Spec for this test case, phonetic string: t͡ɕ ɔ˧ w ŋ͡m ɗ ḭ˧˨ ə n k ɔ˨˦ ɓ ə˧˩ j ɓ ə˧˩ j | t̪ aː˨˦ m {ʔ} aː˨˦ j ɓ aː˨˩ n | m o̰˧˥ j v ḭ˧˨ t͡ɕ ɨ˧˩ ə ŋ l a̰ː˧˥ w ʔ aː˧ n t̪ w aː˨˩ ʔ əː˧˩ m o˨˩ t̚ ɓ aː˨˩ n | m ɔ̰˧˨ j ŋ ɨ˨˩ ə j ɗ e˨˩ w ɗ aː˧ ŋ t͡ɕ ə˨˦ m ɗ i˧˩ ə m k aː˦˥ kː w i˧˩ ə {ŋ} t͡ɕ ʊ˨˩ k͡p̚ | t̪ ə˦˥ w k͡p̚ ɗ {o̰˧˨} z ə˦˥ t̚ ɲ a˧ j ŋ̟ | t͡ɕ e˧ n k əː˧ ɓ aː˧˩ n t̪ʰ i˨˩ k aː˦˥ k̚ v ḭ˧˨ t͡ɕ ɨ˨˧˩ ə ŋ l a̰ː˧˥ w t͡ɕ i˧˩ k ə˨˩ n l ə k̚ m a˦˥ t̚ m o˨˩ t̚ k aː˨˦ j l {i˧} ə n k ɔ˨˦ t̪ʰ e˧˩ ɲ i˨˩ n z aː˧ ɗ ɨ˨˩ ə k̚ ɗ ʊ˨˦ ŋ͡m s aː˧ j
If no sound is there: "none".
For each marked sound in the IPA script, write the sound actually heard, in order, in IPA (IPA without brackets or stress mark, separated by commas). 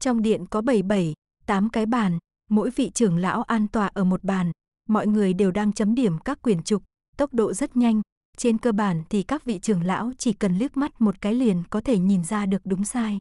k, n, o̰˧˨, i˨˩